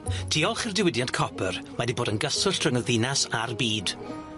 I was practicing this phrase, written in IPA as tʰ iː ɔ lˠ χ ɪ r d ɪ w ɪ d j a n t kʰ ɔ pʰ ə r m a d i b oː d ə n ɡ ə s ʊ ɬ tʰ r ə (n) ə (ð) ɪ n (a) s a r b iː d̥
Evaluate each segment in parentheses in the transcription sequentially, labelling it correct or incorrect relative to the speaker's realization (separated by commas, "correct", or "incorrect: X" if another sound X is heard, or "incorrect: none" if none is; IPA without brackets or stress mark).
incorrect: ŋ, correct, correct